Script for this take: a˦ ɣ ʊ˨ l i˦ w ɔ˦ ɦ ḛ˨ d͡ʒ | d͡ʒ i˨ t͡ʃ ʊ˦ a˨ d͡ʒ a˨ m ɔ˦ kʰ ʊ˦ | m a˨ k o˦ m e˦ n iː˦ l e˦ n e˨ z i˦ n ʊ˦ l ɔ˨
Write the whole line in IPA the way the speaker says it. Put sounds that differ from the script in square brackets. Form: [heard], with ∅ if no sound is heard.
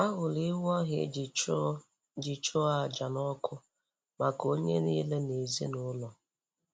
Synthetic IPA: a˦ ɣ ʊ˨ l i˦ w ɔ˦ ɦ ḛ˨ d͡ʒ | d͡ʒ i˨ t͡ʃ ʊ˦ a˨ d͡ʒ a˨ [n] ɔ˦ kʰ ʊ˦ | m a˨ k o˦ [ɲ] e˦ n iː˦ l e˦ n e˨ z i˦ n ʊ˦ l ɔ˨